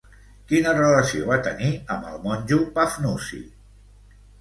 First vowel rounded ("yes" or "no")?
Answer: no